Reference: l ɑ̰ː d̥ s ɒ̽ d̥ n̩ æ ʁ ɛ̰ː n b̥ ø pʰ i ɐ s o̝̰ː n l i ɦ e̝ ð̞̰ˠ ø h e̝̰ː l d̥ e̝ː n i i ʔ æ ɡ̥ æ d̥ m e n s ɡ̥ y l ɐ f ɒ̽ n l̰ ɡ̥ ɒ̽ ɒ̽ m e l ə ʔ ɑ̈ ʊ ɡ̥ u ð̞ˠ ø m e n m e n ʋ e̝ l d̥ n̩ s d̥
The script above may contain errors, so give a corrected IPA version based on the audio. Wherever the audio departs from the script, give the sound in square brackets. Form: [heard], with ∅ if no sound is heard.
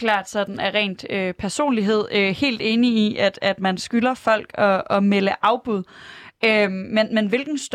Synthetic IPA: l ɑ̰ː d̥ s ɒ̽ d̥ n̩ æ ʁ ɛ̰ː n [d̥] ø pʰ [æ] ɐ s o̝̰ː n l i ɦ e̝ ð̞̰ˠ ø h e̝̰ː l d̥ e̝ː n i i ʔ æ [d̥] æ d̥ m [æ] n s ɡ̥ y l ɐ f ɒ̽ [∅] l̰ ɡ̥ ɒ̽ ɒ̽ m e l ə ʔ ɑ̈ ʊ [b̥] u ð̞ˠ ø m e n m e n ʋ e̝ l [ɡ̥] n̩ s d̥